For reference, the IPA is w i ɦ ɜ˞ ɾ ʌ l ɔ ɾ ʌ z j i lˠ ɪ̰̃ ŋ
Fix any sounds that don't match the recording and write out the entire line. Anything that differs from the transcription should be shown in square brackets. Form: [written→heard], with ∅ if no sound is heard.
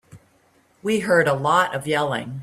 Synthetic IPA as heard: w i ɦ ɜ˞ ɾ [ʌ→ə] l ɔ ɾ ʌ [z→v] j [i→ɛ] lˠ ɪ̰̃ ŋ